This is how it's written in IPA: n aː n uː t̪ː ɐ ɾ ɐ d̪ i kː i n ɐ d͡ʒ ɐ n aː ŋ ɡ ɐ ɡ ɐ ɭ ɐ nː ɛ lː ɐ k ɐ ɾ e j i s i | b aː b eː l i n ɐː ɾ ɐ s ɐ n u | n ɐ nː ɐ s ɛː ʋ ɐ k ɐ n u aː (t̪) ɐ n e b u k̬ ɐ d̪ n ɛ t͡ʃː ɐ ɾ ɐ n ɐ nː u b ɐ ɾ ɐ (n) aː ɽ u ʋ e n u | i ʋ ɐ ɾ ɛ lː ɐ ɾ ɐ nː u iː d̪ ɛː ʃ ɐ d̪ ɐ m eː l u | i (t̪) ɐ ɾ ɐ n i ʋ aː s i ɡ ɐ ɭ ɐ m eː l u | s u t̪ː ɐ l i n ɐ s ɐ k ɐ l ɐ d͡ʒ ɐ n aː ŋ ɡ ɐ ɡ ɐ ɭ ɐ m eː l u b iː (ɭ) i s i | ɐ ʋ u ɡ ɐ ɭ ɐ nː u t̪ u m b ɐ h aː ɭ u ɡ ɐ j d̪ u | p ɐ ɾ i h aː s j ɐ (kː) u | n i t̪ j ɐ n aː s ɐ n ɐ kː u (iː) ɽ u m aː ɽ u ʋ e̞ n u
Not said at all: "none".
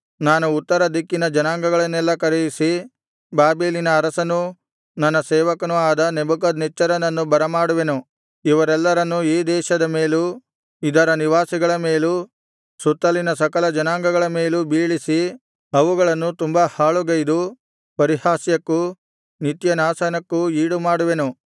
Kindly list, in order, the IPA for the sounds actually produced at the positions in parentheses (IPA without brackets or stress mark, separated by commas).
d̪, m, d̪, ɭ, kː, iː